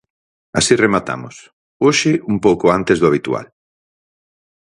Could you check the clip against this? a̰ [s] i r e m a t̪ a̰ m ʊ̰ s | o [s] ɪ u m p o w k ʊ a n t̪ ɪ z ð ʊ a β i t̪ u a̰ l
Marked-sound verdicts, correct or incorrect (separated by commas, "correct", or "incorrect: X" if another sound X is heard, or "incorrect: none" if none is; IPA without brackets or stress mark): correct, incorrect: ʃ